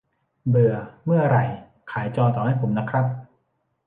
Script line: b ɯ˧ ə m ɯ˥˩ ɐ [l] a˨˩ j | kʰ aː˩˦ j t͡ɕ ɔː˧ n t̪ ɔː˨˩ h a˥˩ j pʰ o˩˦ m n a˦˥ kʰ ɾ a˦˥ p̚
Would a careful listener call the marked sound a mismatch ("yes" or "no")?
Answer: yes